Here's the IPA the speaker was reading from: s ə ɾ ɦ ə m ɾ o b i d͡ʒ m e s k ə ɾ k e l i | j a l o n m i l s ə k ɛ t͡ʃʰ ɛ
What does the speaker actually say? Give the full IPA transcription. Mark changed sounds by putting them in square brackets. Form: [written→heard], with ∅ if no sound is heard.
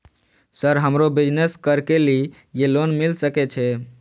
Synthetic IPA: s ə ɾ ɦ ə m ɾ o b i d͡ʒ [m→n] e s k ə ɾ k e l i | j [a→e] l o n m i l s ə k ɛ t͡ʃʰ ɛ